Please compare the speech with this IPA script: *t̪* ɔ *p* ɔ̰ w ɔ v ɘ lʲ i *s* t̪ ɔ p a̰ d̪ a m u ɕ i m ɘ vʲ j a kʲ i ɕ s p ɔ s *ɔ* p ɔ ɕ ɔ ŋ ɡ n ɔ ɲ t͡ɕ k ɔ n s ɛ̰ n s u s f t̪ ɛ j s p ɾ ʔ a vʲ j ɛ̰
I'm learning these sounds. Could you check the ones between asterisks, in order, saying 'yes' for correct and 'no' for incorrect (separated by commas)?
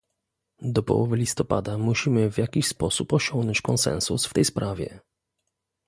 no, yes, yes, no